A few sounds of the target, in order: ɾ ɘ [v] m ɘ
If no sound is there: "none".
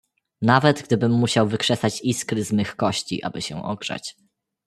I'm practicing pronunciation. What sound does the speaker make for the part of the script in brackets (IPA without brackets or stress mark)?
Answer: z